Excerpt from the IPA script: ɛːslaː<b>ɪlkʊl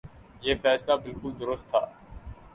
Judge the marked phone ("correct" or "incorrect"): correct